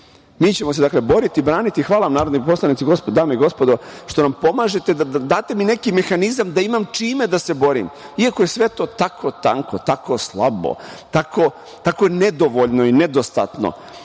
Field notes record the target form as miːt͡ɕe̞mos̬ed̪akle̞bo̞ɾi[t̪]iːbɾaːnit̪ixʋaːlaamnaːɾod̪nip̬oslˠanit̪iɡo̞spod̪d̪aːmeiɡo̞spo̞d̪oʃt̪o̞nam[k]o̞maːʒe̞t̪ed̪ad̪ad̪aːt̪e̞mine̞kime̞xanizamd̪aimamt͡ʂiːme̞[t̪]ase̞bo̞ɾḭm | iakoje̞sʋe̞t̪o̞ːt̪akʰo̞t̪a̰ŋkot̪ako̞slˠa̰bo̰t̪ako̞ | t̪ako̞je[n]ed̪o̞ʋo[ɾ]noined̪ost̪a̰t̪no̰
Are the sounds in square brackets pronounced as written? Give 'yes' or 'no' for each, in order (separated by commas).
yes, no, no, yes, no